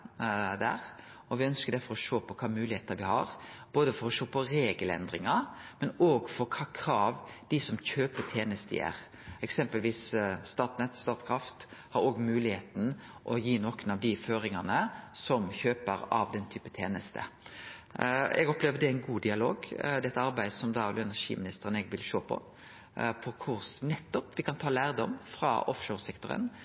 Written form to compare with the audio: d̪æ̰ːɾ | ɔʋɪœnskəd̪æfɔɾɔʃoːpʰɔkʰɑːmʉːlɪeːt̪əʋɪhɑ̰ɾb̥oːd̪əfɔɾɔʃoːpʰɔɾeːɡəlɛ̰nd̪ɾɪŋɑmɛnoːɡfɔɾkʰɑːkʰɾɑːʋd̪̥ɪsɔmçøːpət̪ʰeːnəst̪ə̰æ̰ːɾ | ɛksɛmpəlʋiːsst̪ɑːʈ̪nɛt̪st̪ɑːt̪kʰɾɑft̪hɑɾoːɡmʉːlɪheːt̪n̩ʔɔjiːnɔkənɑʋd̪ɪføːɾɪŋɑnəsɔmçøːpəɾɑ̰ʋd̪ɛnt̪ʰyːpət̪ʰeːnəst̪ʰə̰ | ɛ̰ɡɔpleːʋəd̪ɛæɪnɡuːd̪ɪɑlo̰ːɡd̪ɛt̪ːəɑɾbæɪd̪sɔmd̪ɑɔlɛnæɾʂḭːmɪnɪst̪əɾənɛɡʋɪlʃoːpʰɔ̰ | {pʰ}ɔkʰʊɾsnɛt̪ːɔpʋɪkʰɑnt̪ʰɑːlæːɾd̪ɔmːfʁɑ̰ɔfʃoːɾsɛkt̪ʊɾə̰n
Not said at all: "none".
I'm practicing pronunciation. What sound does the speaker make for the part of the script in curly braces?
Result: pʰ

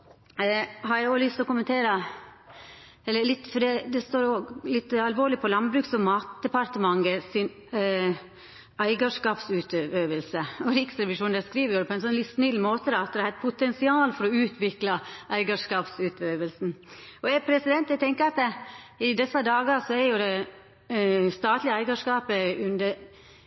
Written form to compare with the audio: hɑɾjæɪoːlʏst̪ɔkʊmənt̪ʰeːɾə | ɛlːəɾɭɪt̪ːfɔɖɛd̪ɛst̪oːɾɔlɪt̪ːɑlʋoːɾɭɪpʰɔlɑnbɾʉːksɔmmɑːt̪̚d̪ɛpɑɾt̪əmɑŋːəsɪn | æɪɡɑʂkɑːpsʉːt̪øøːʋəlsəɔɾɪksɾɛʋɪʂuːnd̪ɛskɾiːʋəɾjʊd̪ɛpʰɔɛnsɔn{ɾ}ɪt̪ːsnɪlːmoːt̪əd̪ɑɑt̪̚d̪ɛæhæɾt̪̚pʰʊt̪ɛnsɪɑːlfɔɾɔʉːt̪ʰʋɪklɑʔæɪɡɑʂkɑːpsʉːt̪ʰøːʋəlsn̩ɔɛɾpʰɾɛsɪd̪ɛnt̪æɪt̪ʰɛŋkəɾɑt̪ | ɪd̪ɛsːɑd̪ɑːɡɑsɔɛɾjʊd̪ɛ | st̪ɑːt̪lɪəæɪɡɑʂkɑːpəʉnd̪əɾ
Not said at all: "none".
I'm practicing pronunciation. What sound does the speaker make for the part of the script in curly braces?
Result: l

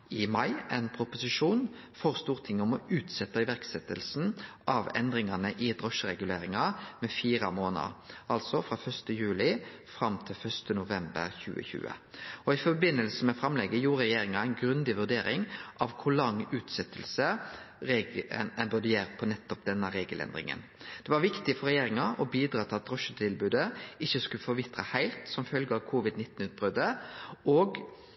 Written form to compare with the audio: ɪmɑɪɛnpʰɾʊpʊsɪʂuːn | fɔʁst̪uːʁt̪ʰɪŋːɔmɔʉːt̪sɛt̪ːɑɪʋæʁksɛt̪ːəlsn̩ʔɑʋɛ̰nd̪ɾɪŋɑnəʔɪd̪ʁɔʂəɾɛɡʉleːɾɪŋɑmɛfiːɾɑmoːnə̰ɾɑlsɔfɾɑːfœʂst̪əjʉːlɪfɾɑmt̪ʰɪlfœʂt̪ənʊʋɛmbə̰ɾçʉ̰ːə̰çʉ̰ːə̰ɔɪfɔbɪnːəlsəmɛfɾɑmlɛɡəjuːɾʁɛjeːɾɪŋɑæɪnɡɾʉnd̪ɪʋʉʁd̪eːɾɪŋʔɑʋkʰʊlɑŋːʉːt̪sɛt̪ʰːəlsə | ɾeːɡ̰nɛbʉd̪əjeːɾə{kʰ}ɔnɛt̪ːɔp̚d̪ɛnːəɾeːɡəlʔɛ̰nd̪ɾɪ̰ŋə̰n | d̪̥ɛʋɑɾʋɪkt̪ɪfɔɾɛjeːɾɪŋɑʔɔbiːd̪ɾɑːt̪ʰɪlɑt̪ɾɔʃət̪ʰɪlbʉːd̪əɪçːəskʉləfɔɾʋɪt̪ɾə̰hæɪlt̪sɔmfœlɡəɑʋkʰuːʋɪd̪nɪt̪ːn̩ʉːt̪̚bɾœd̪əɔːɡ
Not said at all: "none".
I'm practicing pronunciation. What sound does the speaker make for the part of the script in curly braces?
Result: pʰ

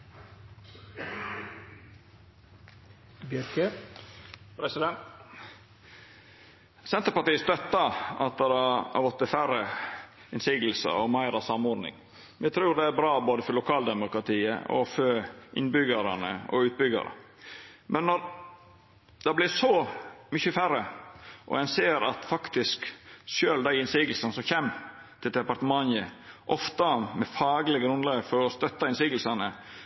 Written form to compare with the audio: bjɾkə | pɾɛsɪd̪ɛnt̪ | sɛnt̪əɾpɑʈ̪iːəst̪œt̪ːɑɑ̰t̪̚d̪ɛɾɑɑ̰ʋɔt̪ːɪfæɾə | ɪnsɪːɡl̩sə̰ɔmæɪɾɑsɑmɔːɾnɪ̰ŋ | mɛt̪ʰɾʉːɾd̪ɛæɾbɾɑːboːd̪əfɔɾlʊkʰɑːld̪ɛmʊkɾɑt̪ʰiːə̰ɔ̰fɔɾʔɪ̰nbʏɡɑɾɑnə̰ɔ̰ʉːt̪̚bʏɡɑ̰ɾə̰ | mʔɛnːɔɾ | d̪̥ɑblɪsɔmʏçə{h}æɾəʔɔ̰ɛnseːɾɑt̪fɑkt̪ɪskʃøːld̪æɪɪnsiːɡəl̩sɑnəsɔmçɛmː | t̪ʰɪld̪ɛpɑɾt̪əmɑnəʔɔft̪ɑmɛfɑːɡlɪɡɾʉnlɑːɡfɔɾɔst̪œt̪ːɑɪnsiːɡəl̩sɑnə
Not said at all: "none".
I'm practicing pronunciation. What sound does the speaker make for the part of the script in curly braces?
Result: f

